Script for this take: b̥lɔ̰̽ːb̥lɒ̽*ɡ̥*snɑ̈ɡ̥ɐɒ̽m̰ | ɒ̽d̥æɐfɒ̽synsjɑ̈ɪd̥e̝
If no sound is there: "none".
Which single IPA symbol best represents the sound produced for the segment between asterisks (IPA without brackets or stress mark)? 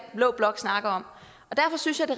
ɡ̥